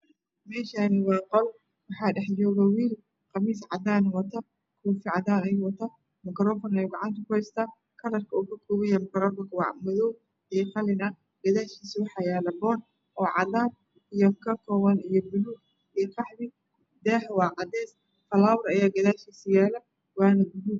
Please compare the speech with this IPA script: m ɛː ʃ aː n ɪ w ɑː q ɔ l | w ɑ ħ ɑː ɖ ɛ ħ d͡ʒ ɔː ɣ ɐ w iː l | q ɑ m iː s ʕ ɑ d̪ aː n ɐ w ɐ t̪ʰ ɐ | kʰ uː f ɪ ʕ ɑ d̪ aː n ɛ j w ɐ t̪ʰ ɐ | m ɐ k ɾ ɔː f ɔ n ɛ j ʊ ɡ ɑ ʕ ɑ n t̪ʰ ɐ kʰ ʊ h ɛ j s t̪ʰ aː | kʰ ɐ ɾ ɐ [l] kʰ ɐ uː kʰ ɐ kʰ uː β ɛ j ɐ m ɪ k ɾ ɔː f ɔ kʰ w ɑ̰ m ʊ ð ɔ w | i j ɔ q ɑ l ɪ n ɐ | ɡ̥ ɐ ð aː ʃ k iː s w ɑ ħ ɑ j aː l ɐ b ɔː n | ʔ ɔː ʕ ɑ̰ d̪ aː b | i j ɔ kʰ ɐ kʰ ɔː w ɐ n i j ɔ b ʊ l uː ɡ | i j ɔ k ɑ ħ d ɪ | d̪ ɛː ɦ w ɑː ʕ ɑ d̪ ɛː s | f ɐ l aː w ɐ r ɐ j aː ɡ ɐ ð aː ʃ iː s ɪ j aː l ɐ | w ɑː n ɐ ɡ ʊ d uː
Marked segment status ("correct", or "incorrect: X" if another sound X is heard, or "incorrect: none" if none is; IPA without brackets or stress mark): incorrect: r